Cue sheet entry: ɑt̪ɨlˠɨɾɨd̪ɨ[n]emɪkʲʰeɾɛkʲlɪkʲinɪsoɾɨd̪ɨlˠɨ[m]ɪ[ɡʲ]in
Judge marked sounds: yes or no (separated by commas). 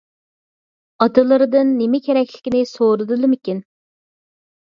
no, yes, no